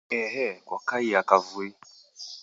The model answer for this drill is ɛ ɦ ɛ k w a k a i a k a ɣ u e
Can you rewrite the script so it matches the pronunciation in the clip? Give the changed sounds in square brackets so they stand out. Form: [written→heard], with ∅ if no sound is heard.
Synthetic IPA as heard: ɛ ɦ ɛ k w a k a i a k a [ɣ→v] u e

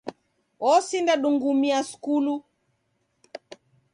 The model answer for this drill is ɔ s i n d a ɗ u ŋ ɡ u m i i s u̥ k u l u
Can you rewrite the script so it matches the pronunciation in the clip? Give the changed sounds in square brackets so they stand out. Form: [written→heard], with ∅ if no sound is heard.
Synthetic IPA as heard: ɔ s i n d a ɗ u ŋ ɡ u m i [i→a] s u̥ k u l u

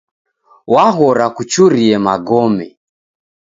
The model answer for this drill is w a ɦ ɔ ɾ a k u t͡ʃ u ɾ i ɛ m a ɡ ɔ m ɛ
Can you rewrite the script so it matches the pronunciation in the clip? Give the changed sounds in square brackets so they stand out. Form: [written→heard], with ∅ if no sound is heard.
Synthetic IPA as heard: w a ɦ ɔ ɾ a k u t͡ʃ u ɾ i ɛ m a ɡ ɔ m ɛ

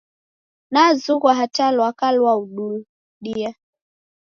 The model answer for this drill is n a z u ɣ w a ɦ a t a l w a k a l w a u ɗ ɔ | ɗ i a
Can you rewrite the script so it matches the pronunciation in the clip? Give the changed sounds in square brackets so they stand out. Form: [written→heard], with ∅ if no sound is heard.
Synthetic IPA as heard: n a z u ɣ w a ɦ a t a l w a k a l w a u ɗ [ɔ→u] | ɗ i a

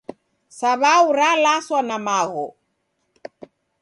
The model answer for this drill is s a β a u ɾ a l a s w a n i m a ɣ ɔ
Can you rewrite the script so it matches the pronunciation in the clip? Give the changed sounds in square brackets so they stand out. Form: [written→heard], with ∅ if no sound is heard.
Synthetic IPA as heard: s a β a u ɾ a l a s w a n [i→a] m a ɣ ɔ

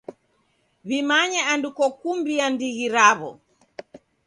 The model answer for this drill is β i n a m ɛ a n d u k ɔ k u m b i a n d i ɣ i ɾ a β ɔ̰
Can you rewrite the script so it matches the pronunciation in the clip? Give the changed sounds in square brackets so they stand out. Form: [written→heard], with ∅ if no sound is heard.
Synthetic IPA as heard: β i [n→m] a [m→ɲ] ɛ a n d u k ɔ k u m b i a n d i ɣ i ɾ a β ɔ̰

